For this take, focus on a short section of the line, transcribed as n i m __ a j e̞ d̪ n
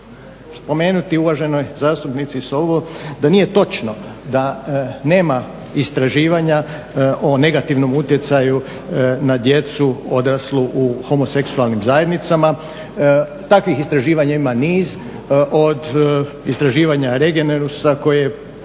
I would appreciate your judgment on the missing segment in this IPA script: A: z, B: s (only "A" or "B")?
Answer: A